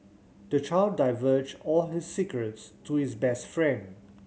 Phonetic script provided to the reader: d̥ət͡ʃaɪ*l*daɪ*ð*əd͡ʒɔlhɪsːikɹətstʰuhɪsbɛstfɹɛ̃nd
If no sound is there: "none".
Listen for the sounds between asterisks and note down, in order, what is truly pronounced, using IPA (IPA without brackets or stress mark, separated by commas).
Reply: l, v